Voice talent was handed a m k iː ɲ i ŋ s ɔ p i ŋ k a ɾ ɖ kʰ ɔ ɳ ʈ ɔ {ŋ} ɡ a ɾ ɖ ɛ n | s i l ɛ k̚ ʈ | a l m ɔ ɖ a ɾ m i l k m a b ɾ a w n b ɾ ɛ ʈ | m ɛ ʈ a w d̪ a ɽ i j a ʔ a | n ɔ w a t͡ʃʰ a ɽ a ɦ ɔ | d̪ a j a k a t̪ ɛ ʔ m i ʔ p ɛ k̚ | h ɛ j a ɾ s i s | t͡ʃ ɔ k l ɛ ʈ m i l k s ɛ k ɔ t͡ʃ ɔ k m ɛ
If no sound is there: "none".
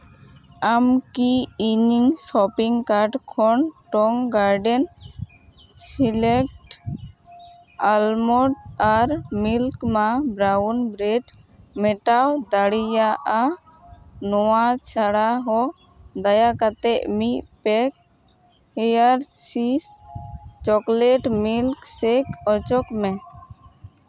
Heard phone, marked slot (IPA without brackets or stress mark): ŋ